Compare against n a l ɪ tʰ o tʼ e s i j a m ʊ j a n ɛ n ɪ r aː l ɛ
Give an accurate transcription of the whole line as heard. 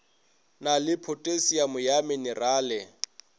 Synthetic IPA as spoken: n a l ɪ pʰ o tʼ e s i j a m ʊ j a m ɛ n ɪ r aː l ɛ